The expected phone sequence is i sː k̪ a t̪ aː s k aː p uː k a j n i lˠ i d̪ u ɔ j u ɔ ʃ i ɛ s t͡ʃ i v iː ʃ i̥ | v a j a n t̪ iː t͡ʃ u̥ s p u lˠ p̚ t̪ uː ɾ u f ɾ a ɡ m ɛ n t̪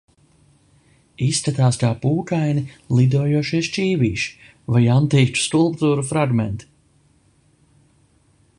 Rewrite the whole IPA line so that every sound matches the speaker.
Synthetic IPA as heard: i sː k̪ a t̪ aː s k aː p uː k a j n i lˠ i d̪ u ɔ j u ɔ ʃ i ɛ s t͡ʃ iː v iː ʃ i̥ | v a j a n t̪ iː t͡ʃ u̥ s k u lˠ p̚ t̪ uː ɾ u f ɾ a ɡ m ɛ n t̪